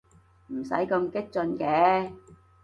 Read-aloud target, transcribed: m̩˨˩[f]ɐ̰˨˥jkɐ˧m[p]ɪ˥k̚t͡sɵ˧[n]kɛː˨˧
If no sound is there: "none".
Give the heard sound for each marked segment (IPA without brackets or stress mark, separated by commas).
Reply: s, k, n